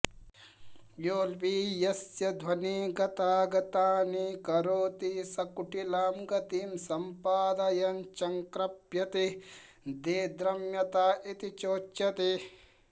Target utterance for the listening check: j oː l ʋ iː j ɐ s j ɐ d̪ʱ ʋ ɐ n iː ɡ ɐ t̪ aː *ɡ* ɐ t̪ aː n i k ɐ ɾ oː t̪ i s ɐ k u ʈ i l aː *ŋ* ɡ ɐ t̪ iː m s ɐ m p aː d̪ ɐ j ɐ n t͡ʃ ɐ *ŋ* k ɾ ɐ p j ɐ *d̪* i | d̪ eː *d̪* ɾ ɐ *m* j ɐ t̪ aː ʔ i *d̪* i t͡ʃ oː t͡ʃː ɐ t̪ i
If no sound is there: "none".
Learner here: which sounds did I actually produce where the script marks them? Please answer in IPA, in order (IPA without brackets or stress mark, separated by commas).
ɡ, m, ŋ, t̪, d̪, m, t̪